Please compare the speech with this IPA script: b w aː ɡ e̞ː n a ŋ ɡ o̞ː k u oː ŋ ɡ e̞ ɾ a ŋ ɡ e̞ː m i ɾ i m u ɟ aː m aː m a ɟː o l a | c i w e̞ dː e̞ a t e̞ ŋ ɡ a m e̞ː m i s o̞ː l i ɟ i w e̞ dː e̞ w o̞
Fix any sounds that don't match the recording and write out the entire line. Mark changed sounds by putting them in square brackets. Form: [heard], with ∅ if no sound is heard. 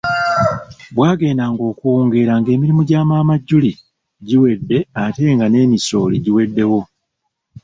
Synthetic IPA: b w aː ɡ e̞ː n a ŋ ɡ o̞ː k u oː ŋ ɡ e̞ ɾ a ŋ ɡ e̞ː m i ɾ i m u ɟ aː m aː m a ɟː [u] l [i] | [ɟ] i w e̞ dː e̞ a t e̞ ŋ ɡ a [n] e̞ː m i s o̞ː l i ɟ i w e̞ dː e̞ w o̞